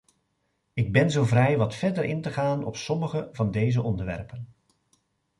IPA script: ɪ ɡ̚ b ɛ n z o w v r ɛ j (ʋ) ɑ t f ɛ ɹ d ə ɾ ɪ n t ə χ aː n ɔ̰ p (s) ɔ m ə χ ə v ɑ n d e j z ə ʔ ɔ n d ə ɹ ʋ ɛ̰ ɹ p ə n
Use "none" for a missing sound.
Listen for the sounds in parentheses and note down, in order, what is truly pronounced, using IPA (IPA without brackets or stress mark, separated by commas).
ʋ, s